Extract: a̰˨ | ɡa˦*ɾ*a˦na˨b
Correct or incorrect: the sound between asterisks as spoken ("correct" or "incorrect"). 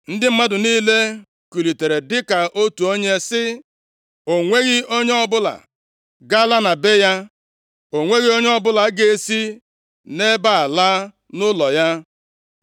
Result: incorrect